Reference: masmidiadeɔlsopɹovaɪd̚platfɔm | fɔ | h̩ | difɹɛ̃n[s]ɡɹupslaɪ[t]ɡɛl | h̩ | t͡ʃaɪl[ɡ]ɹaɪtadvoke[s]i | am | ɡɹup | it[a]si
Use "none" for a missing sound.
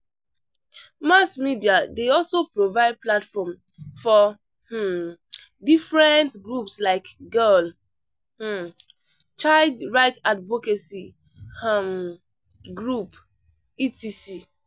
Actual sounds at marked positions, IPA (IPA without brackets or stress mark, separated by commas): t, k, d, s, i